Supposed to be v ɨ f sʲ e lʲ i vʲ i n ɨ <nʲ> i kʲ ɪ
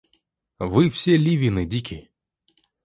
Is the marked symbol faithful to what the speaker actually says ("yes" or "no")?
no